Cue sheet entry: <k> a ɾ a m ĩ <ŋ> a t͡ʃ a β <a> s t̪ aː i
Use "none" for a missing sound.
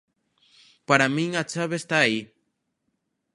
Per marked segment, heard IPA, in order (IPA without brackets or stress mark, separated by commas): p, ŋ, e